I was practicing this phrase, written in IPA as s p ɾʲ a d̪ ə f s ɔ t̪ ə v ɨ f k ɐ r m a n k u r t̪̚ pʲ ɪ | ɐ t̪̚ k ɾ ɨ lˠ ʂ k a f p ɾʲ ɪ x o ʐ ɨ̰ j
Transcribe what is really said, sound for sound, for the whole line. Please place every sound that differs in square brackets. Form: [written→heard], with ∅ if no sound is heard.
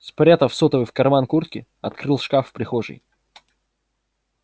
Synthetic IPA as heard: s p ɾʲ a [d̪→t̪] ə f s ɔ t̪ ə v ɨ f k ɐ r m a n k u r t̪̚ [pʲ→kʲ] ɪ | ɐ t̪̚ k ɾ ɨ lˠ ʂ k a f p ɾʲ ɪ x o ʐ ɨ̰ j